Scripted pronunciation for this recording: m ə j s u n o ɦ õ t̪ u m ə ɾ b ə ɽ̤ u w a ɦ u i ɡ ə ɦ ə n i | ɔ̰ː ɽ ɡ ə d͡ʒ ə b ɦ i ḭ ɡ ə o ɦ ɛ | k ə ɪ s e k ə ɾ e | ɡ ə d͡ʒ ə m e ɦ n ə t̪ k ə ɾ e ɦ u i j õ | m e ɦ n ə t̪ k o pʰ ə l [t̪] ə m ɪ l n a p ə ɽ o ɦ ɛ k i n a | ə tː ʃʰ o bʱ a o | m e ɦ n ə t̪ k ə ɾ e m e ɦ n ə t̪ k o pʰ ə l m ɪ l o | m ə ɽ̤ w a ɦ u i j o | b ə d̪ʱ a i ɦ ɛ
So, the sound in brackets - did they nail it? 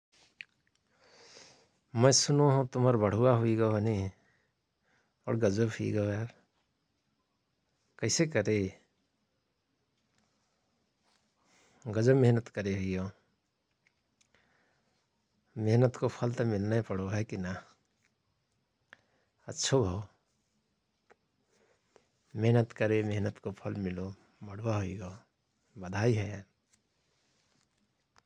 yes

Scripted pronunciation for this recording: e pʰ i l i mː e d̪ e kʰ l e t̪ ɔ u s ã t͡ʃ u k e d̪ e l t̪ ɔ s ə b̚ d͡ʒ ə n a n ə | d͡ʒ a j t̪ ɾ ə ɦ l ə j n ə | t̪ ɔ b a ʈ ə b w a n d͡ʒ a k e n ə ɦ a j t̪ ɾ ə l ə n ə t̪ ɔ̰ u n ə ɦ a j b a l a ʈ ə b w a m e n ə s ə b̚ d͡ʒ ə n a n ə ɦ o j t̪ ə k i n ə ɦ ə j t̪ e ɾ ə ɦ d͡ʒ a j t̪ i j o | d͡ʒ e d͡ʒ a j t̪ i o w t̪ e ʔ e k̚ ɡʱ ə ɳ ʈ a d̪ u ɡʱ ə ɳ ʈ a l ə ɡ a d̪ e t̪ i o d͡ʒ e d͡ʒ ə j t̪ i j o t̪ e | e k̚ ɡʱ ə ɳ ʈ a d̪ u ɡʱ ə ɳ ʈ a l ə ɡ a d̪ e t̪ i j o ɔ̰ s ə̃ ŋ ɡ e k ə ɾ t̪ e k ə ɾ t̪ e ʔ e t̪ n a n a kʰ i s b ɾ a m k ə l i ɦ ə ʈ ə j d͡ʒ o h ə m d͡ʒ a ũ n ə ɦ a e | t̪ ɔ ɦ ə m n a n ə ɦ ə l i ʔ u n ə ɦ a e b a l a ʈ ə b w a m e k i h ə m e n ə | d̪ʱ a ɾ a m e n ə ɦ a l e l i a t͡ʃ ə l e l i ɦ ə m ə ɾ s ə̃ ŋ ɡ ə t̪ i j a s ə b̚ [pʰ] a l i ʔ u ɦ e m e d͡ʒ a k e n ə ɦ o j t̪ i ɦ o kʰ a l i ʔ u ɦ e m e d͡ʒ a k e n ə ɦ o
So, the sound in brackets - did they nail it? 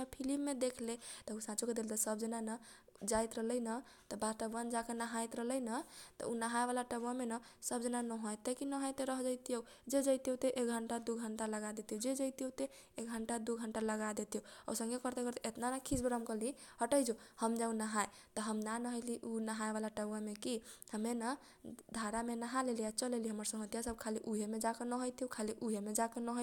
no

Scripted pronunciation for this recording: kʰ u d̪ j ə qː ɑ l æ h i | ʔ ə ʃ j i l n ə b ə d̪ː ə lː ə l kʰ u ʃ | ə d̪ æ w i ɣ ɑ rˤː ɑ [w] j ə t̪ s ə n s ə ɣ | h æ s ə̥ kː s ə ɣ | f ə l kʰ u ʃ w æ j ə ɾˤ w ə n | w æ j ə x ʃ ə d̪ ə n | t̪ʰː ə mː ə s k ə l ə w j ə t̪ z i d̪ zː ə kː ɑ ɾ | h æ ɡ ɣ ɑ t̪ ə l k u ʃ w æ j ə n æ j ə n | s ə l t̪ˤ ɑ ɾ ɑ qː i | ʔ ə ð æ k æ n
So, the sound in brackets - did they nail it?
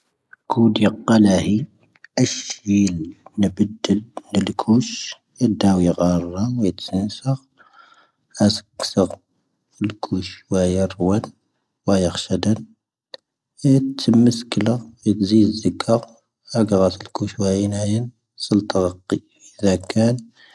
yes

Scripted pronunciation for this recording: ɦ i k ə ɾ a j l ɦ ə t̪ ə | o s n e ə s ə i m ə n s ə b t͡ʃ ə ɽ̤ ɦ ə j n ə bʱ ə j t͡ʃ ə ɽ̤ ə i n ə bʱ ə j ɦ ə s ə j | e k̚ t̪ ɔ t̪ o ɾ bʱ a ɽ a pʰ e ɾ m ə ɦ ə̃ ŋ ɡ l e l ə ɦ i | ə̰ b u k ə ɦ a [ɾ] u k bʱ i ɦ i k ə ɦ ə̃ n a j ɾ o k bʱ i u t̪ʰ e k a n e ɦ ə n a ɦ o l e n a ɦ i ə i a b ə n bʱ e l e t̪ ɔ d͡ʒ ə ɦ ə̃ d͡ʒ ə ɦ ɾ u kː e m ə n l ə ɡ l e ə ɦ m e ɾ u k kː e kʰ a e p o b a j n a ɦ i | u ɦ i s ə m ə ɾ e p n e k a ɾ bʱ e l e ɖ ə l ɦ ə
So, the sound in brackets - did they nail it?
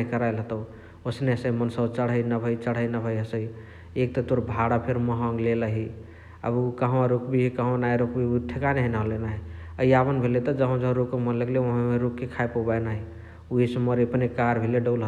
yes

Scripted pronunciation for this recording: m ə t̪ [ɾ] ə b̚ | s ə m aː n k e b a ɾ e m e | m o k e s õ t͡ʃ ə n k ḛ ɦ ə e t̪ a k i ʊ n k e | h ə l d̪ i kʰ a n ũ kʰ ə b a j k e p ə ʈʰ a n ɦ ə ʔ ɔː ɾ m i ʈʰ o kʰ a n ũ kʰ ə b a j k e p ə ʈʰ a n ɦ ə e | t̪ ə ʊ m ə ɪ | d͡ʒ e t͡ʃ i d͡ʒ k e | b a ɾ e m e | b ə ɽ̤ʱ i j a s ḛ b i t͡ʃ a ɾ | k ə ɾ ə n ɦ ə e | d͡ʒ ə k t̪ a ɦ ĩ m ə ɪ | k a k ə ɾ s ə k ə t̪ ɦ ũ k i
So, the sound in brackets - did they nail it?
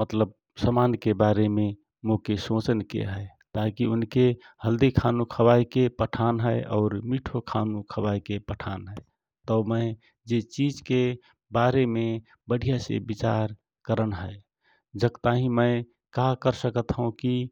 no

